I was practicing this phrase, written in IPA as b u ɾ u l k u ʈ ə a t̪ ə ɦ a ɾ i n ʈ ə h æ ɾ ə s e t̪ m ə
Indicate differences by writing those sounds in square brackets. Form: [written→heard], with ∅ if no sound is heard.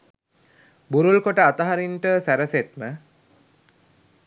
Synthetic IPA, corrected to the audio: b u ɾ u l k [u→o] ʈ ə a t̪ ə ɦ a ɾ i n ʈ ə [h→s] æ ɾ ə s e t̪ m ə